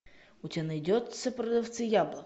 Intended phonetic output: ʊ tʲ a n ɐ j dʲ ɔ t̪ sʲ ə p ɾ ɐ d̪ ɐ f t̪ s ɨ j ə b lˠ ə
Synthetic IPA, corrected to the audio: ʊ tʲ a n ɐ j dʲ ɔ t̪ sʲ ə p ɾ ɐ d̪ ɐ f t̪ s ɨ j a b lˠ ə